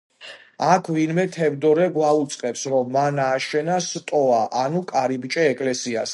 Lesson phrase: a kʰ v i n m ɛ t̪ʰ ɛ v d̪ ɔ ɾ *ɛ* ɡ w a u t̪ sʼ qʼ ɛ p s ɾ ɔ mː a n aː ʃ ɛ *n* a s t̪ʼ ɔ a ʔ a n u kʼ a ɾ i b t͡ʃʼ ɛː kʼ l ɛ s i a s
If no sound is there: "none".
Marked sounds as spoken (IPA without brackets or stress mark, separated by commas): ɛ, n